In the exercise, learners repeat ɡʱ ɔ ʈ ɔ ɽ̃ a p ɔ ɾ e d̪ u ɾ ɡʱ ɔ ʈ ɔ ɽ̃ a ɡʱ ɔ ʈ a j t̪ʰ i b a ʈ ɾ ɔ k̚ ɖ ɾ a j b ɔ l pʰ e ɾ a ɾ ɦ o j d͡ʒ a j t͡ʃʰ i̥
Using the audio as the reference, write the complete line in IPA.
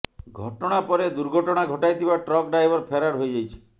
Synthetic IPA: ɡʱ ɔ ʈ ɔ ɽ̃ a p ɔ ɾ e d̪ u ɾ ɡʱ ɔ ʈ ɔ ɽ̃ a ɡʱ ɔ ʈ a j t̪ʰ i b a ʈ ɾ ɔ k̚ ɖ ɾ a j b ɔ ɾ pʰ e ɾ a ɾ ɦ o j d͡ʒ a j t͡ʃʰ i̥